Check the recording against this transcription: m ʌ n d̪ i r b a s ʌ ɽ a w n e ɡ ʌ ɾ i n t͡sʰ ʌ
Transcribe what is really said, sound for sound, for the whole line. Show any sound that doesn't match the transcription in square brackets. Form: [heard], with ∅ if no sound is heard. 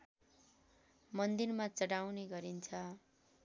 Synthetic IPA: m ʌ n d̪ i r [m] a [t͡s] ʌ ɽ a w n e ɡ ʌ ɾ i n t͡sʰ ʌ